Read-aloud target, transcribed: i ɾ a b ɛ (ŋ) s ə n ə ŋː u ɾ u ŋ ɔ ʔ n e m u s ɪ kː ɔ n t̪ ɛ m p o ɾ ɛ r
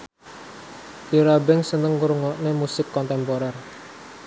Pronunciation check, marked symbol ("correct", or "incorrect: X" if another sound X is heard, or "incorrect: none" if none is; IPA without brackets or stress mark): correct